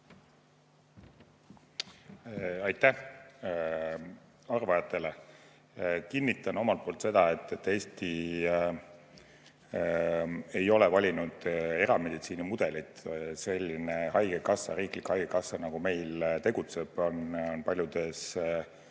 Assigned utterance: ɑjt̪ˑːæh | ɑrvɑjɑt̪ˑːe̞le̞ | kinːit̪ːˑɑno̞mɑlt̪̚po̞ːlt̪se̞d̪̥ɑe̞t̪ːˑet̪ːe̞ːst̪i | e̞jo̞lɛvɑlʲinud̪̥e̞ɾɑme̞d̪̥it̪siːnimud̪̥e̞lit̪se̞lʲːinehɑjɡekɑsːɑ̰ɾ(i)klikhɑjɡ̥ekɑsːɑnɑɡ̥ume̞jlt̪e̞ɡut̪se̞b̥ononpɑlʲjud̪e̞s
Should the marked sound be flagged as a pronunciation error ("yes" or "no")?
yes